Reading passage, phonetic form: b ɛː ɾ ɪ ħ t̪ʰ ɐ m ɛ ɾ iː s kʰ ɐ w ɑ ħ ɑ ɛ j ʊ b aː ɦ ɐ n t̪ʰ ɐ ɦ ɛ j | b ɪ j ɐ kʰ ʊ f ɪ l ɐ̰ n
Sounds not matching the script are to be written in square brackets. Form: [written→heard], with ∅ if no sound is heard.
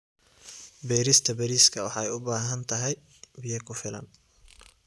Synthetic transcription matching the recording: b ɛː ɾ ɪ [ħ→s] t̪ʰ ɐ [m→b] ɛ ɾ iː s kʰ ɐ w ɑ ħ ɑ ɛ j ʊ b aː ɦ ɐ n t̪ʰ ɐ ɦ ɛ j | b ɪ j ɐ kʰ ʊ f ɪ l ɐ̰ n

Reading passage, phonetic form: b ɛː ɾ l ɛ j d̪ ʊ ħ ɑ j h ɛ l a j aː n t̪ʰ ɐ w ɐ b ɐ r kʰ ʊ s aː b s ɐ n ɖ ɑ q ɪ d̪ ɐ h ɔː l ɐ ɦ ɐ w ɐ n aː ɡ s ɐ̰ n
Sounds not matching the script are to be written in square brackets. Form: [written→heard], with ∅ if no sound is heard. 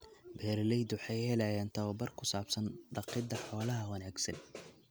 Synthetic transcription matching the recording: b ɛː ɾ l ɛ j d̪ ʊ ħ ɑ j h ɛ l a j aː n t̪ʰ ɐ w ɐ b ɐ r kʰ ʊ s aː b s ɐ n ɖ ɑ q ɪ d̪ ɐ [h→ħ] ɔː l ɐ ɦ ɐ w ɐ n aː ɡ s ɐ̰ n

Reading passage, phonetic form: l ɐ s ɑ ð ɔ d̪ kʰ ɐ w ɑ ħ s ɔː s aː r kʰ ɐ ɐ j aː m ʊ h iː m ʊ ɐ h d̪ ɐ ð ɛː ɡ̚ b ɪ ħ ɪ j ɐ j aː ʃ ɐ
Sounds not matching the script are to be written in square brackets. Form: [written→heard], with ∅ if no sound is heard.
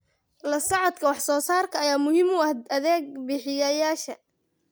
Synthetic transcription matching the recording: l ɐ s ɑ [ð→ʕ] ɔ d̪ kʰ ɐ w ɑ ħ s ɔː s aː r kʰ ɐ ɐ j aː m ʊ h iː m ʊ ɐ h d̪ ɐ ð ɛː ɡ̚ b ɪ ħ ɪ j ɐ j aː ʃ ɐ

